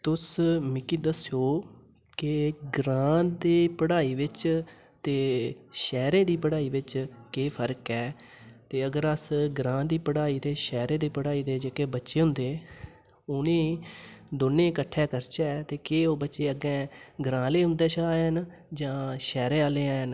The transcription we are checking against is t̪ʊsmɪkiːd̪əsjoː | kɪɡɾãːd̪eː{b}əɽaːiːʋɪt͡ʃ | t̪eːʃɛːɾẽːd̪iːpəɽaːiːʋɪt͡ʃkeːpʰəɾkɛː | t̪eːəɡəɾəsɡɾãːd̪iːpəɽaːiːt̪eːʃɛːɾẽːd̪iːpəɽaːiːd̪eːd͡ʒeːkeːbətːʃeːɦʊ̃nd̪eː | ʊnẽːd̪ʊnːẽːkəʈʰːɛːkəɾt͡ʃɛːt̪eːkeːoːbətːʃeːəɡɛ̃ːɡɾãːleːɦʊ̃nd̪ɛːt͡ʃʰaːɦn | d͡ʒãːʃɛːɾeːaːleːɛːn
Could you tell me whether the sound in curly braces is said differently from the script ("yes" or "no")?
yes